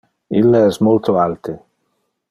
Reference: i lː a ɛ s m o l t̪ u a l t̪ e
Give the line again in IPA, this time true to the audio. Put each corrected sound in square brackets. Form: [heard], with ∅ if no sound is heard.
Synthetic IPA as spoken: i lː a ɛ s m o l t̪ [o] a l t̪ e